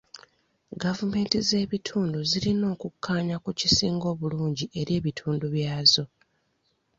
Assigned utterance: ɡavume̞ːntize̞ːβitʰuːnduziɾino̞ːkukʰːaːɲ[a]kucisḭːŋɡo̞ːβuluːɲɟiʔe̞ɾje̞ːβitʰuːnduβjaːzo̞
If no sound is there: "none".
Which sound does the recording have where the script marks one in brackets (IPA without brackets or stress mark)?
a